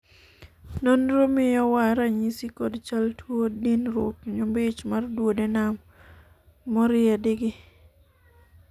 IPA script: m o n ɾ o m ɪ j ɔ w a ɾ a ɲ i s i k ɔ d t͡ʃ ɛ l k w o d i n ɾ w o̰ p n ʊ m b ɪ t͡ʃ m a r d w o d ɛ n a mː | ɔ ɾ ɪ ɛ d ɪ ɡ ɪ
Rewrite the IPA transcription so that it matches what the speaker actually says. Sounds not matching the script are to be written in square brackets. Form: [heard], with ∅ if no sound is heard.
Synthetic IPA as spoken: [n] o n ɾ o m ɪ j ɔ w a ɾ a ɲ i s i k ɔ d t͡ʃ [a] l [t] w o d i n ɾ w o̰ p [ɲ] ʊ m b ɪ t͡ʃ m a r d w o d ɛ n a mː | ɔ ɾ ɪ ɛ d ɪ ɡ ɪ

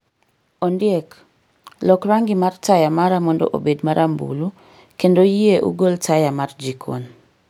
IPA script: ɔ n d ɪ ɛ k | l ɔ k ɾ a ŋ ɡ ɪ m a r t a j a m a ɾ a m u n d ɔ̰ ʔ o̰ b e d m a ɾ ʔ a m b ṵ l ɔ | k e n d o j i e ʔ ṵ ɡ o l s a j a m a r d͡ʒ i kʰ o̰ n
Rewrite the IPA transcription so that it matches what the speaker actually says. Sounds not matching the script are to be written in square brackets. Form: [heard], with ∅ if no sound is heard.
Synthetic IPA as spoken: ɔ n d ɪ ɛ k | l ɔ k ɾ a ŋ ɡ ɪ m a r t a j a m a ɾ a m [ɔ] n d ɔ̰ ʔ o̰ b e d m a ɾ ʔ a m b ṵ l [u] | k e n d o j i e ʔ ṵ ɡ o l [t] a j a m a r d͡ʒ i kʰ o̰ n

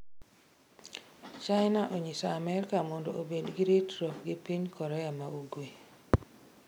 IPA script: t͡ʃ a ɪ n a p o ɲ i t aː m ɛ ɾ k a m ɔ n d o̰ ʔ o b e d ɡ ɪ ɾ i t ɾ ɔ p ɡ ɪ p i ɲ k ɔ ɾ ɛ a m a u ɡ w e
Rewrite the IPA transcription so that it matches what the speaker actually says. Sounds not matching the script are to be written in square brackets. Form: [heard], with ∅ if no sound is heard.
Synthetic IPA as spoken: t͡ʃ a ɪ n a [ʔ] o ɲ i [s] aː m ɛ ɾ k a m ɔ n d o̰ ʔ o b e d ɡ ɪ ɾ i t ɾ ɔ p ɡ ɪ p i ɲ k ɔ ɾ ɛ a m a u ɡ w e

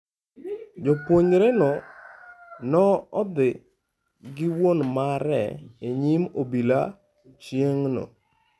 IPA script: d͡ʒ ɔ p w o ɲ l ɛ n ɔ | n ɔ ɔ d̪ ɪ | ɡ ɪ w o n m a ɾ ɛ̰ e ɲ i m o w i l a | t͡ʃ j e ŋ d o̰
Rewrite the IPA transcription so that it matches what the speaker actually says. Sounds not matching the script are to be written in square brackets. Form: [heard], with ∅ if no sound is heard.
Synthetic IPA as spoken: d͡ʒ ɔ p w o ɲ [ɾ] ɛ n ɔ | n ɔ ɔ d̪ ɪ | ɡ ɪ w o n m a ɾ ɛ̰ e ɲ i m o [b] i l a | t͡ʃ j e ŋ [n] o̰

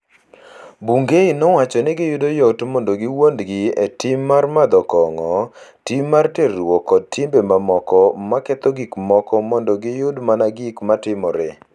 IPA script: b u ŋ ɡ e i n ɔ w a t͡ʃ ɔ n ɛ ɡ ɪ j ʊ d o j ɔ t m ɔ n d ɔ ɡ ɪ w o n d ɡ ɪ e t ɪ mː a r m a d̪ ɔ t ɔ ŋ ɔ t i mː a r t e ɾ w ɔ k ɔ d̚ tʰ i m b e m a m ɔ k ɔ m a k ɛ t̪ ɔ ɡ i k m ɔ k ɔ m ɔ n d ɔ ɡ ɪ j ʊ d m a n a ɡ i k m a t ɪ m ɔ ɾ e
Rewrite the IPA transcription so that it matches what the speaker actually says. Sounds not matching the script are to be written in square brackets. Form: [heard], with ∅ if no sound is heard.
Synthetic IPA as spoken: b u ŋ ɡ e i n ɔ w a t͡ʃ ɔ n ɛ ɡ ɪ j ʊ d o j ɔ t m ɔ n d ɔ ɡ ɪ w o n d ɡ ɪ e t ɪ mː a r m a d̪ ɔ [k] ɔ ŋ ɔ t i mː a r t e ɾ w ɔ k ɔ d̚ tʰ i m b e m a m ɔ k ɔ m a k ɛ t̪ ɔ ɡ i k m ɔ k ɔ m ɔ n d ɔ ɡ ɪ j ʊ d m a n a ɡ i k m a t ɪ m ɔ ɾ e

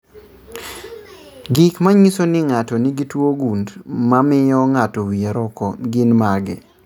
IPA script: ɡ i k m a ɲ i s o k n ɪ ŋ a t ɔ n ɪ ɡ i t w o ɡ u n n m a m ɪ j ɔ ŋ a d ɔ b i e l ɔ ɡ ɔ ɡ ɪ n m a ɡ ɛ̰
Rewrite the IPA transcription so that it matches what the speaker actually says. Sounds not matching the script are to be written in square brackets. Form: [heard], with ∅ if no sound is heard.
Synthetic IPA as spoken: ɡ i k m a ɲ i s o [∅] n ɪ ŋ a t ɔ n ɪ ɡ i t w o ɡ u n [d] m a m ɪ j ɔ ŋ a [t] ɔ [w] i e [ɾ] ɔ [k] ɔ ɡ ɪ n m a ɡ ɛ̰

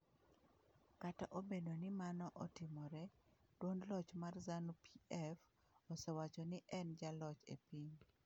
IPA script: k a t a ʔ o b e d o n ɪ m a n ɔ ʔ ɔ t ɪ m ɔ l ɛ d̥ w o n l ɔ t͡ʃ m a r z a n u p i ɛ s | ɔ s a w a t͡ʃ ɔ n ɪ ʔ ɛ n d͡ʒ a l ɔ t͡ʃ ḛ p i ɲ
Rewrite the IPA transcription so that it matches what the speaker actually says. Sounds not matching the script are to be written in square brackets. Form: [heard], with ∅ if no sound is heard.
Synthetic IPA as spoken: k a t a ʔ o b e d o n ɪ m a n ɔ ʔ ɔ t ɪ m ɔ [ɾ] ɛ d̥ w o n l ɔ t͡ʃ m a r z a n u p i ɛ [f] | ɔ s [ɛ] w a t͡ʃ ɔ n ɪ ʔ ɛ n d͡ʒ a l ɔ t͡ʃ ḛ p i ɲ

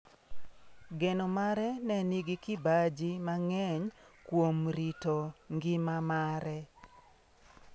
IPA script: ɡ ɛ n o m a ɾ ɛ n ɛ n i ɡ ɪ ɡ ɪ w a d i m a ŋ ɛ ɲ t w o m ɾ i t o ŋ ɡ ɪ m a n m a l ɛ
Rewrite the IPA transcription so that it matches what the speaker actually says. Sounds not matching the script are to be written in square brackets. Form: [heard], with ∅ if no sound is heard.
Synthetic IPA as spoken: ɡ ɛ n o m a ɾ ɛ n ɛ n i ɡ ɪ [k] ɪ [b] a [d͡ʒ] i m a ŋ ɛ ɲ [k] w o m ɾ i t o ŋ ɡ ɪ m a [∅] m a [ɾ] ɛ

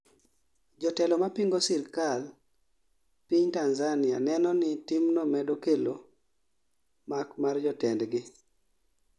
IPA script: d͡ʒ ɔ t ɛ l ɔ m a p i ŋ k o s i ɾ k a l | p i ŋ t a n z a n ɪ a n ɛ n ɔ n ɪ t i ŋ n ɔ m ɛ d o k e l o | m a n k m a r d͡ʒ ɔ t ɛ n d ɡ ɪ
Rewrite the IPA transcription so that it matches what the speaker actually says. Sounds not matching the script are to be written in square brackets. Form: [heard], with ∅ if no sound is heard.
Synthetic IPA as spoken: d͡ʒ ɔ t ɛ l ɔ m a p i ŋ [ɡ] o s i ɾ k a l | p i [ɲ] t a n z a n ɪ a n ɛ n ɔ n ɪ t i [m] n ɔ m ɛ d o k e l o | m a [∅] k m a r d͡ʒ ɔ t ɛ n d ɡ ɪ

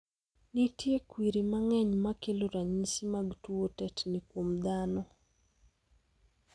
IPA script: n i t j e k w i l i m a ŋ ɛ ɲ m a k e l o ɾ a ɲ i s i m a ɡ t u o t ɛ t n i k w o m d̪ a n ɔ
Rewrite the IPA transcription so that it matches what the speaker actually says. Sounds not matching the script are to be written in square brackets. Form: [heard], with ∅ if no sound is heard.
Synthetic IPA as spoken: n i t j e k w i [ɾ] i m a ŋ ɛ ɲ m a k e l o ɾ a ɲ i s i m a ɡ t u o t ɛ t n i k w o m d̪ a n ɔ

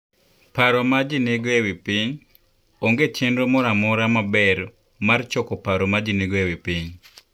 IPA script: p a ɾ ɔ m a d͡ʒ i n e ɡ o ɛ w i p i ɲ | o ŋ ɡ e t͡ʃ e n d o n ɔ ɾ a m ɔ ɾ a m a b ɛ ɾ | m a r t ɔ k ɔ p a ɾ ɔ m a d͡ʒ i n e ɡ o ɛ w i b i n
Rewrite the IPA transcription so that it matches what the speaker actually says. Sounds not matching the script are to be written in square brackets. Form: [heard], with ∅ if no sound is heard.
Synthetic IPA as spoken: p a ɾ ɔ m a d͡ʒ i n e ɡ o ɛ w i p i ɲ | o ŋ ɡ e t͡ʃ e n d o [m] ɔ ɾ a m ɔ ɾ a m a b ɛ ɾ | m a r [t͡ʃ] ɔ k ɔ p a ɾ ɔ m a d͡ʒ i n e ɡ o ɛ w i [p] i [ɲ]

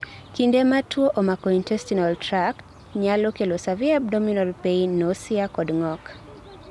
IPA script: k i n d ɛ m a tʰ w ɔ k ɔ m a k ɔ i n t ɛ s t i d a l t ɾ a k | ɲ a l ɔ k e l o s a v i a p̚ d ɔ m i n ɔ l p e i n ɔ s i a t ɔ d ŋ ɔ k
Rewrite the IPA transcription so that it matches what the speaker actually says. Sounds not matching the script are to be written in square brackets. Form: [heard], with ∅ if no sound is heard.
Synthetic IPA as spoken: k i n d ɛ m a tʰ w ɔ [ʔ] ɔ m a k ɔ i n t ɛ s t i [n] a l t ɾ a k | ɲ a l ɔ k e l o s a v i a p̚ d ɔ m i n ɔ l p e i n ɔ s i a [k] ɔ d ŋ ɔ k

